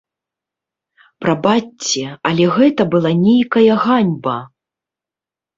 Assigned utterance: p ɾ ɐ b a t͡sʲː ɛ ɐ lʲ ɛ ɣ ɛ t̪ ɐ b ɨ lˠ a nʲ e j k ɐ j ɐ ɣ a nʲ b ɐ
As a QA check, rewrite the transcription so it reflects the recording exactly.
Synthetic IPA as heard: p ɾ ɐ b a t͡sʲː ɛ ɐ lʲ ɛ ɣ ɛ t̪ ɐ b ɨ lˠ a nʲ e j k ɐ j ɐ ɣ a nʲ b ɐ